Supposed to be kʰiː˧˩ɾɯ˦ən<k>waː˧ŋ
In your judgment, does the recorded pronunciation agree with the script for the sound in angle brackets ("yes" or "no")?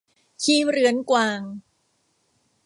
yes